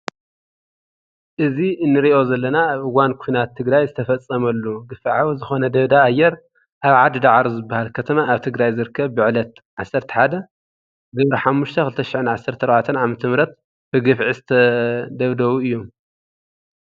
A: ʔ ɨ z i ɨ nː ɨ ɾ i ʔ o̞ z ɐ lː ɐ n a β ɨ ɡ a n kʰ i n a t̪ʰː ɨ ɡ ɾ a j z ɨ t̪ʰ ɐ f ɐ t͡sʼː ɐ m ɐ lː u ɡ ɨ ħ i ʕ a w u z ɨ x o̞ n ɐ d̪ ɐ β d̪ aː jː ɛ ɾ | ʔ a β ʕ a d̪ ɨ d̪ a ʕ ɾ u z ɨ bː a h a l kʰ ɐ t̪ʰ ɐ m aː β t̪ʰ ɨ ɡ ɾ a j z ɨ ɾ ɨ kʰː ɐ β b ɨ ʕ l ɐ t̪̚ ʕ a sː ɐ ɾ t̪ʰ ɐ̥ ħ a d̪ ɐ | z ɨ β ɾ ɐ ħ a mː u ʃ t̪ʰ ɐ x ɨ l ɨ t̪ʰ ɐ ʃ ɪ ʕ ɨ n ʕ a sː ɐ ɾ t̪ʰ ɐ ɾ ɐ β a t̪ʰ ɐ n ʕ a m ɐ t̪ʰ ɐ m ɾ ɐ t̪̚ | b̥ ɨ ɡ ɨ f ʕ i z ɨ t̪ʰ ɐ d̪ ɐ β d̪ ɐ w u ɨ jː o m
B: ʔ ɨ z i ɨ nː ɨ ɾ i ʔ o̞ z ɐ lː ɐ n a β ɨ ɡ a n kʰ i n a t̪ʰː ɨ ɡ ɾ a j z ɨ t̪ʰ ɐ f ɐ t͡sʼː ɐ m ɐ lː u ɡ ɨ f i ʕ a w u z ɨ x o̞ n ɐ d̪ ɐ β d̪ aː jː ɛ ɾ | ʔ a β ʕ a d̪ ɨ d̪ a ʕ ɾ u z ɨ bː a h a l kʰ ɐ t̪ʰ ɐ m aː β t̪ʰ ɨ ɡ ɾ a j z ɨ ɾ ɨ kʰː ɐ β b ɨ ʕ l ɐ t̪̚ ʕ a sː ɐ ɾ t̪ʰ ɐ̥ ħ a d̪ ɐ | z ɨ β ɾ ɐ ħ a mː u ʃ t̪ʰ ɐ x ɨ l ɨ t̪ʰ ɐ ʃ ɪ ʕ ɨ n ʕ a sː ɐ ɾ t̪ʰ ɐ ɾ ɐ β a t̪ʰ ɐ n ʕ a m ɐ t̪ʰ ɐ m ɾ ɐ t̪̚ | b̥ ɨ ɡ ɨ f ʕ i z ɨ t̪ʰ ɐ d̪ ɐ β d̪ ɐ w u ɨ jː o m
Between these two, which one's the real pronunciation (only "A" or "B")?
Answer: B